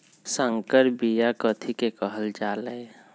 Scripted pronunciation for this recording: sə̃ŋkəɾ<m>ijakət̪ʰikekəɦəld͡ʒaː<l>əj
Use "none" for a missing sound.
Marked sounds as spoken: b, l

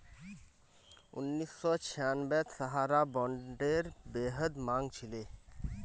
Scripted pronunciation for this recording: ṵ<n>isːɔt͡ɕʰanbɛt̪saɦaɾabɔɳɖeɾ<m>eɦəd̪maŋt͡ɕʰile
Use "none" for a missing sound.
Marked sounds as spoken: nː, b

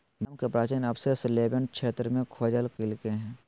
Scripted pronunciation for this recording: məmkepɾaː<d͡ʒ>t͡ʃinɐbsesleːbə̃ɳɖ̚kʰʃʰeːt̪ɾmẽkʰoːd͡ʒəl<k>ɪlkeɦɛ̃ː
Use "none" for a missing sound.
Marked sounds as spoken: none, k

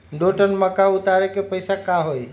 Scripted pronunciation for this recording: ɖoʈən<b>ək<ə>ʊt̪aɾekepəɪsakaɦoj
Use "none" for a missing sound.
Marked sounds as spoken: m, a

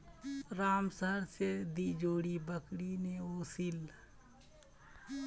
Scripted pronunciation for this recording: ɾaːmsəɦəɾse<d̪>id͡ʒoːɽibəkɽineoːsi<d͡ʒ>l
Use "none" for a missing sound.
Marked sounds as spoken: d̪, none

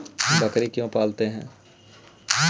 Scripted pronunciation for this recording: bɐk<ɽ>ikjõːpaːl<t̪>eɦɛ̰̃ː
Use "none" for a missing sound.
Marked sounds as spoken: ɾ, t̪

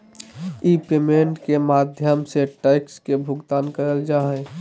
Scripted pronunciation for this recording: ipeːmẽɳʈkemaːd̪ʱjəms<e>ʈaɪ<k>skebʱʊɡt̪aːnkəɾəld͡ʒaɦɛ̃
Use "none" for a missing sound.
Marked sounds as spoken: e, k

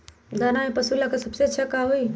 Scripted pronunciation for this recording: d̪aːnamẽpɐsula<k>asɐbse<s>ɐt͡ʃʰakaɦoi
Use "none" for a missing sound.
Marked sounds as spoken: k, none

